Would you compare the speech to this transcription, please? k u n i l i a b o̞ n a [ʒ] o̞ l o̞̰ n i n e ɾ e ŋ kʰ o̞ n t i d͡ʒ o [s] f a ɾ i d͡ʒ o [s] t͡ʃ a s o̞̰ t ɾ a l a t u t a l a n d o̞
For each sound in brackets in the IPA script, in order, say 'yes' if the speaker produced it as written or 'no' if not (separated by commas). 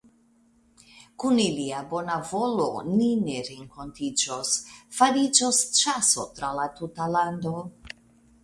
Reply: no, yes, yes